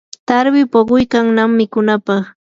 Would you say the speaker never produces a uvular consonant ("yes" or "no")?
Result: no